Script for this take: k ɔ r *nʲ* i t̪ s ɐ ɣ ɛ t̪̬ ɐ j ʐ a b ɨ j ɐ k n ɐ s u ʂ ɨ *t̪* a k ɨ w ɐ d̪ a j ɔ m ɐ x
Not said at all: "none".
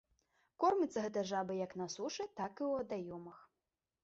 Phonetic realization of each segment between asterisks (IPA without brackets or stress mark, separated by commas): mʲ, t̪